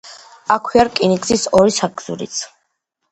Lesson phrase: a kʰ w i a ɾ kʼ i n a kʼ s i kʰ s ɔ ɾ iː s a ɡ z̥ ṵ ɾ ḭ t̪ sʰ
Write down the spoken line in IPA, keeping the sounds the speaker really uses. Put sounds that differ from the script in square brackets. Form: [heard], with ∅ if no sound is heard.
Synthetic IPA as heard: a kʰ w i a ɾ kʼ i n [i] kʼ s i [∅] s ɔ ɾ [i] s a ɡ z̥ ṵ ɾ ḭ t̪ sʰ

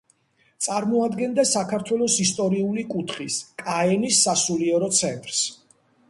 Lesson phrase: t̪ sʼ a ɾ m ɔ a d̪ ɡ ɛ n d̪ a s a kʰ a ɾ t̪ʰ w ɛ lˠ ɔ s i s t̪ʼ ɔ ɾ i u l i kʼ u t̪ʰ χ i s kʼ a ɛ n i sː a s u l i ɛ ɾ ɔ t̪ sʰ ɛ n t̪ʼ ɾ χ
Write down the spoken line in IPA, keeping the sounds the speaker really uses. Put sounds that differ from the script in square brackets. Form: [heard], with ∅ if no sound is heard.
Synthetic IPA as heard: t̪ sʼ a ɾ m ɔ a d̪ ɡ ɛ n d̪ a s a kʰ a ɾ t̪ʰ w ɛ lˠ ɔ s i s t̪ʼ ɔ ɾ i u l i kʼ u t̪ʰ χ i s kʼ a ɛ n i sː a s u l i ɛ ɾ ɔ t̪ sʰ ɛ n t̪ʼ ɾ [s]

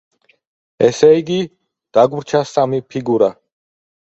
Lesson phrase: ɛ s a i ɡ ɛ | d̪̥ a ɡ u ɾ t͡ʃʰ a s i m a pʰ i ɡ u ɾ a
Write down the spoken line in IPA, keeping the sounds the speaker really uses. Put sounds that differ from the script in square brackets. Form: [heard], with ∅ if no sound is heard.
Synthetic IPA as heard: ɛ s [ɛ] i ɡ [i] | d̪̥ a ɡ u ɾ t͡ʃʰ a s [a] m [i] pʰ i ɡ u ɾ a

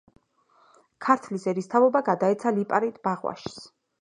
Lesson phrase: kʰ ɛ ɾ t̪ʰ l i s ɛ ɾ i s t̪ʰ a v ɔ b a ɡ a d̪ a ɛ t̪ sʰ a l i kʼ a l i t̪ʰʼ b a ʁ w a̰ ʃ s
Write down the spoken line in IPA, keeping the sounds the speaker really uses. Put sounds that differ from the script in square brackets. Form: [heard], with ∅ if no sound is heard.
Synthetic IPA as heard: kʰ [a] ɾ t̪ʰ l i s ɛ ɾ i s t̪ʰ a v ɔ b a ɡ a d̪ a ɛ t̪ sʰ a l i [pʼ] a [ɾ] i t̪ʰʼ b a ʁ w a̰ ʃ s

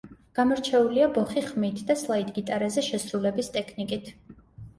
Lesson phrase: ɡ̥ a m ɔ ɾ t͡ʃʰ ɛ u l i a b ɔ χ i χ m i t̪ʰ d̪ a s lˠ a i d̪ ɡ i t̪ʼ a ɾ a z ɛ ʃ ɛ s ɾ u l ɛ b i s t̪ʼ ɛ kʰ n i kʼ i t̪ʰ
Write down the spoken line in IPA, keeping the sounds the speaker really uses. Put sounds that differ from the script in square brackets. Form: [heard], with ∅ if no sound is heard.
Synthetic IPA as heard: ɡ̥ a m ɔ ɾ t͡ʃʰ ɛ u l i a b ɔ χ i χ m i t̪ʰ d̪ a s lˠ a i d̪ ɡ i t̪ʼ a ɾ a z ɛ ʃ ɛ s ɾ u l ɛ b i s t̪ʼ ɛ kʰ n i kʼ i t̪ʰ

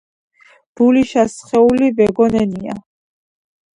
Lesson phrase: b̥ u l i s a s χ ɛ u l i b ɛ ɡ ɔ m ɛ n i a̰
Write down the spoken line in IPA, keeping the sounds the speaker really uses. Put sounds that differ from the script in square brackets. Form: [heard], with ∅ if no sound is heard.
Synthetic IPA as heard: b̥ u l i [ʃ] a s χ ɛ u l i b ɛ ɡ ɔ [n] ɛ n i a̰

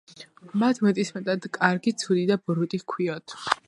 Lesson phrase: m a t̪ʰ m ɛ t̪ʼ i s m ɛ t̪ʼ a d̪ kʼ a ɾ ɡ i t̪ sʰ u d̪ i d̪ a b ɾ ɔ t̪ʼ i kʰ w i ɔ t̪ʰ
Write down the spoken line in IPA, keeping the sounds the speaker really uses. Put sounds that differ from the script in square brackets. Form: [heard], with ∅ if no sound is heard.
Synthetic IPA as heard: m a t̪ʰ m ɛ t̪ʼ i s m ɛ t̪ʼ a d̪ kʼ a ɾ ɡ i t̪ sʰ u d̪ i d̪ a b ɾ [u] t̪ʼ i kʰ w i ɔ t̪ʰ

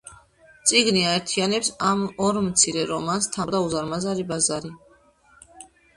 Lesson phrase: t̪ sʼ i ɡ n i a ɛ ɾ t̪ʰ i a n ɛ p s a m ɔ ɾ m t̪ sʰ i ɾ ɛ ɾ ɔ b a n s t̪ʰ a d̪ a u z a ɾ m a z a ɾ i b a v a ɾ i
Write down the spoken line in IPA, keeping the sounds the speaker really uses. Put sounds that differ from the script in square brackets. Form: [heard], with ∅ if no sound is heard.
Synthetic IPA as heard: t̪ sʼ i ɡ n i a ɛ ɾ t̪ʰ i a n ɛ p s a m ɔ ɾ m t̪ sʰ i ɾ ɛ ɾ ɔ [m] a n s t̪ʰ a d̪ a u z a ɾ m a z a ɾ i b a [z] a ɾ i

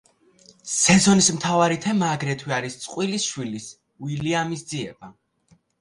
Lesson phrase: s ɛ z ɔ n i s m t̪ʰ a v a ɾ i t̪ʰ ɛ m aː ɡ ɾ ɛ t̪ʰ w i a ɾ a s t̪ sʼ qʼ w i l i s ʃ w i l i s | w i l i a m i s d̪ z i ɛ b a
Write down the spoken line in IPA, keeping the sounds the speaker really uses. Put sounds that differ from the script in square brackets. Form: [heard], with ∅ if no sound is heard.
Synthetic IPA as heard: s ɛ z ɔ n i s m t̪ʰ a v a ɾ i t̪ʰ ɛ m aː ɡ ɾ ɛ t̪ʰ w i a ɾ [i] s t̪ sʼ qʼ w i l i s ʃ w i l i s | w i l i a m i s d̪ z i ɛ b a

